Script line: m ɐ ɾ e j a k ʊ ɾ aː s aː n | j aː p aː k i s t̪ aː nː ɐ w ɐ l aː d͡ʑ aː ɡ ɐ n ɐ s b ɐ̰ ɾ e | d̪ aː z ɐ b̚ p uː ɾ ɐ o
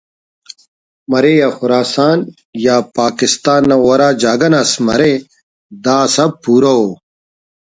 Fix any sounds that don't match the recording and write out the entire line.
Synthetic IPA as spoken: m ɐ ɾ e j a x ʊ ɾ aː s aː n | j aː p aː k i s t̪ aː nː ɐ w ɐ ɾ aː d͡ʑ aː ɡ ɐ n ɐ s m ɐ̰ ɾ e | d̪ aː s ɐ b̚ p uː ɾ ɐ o